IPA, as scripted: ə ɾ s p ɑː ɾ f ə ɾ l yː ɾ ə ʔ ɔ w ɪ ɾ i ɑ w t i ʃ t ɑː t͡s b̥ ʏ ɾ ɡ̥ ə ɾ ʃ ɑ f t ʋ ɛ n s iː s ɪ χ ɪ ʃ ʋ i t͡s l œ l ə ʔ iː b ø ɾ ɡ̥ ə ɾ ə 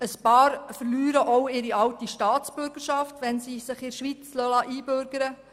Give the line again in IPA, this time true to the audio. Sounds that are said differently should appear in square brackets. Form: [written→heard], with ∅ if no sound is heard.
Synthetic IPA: ə [ɾ→∅] s p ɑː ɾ f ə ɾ l yː ɾ ə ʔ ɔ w ɪ ɾ i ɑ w t i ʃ t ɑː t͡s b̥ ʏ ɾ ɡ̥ ə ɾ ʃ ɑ f t ʋ ɛ n s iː s ɪ χ ɪ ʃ ʋ i t͡s l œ l [ə→ɑ] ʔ iː b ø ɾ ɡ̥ ə ɾ ə